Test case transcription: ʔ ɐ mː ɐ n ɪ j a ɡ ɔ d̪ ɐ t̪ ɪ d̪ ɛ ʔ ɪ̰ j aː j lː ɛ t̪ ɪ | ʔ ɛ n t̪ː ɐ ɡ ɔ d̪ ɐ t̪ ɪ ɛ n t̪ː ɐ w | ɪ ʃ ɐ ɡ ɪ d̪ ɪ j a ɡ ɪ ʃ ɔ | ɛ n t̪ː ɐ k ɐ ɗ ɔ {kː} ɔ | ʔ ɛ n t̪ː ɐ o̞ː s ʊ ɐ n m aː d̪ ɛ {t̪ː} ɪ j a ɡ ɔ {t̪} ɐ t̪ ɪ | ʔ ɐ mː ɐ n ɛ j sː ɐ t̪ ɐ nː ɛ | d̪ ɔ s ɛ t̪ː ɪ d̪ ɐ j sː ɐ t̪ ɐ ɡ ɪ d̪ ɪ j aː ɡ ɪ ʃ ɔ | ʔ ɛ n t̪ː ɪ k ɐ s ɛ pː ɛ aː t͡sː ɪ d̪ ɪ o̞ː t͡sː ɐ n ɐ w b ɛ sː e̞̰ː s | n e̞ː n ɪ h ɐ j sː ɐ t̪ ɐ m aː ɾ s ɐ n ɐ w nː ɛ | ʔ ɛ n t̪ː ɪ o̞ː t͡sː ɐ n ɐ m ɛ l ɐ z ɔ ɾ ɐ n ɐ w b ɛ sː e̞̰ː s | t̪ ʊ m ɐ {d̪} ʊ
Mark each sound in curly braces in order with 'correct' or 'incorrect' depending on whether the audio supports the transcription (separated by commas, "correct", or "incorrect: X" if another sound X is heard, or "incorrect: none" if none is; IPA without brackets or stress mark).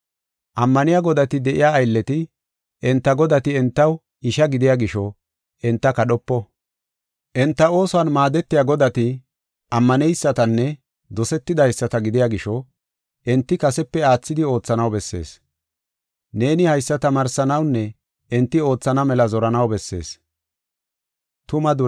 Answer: incorrect: pː, correct, incorrect: d̪, correct